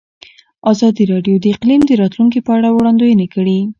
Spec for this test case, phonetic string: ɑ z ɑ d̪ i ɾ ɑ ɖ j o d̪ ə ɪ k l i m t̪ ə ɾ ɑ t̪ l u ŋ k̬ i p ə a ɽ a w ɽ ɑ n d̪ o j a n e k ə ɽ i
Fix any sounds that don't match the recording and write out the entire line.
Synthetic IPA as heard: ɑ z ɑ d̪ i ɾ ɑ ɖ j o d̪ ə ɪ q l i m d̪ ə ɾ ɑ t̪ l u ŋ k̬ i p ə a ɽ a w ɽ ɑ n d̪ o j ə n e k ə ɽ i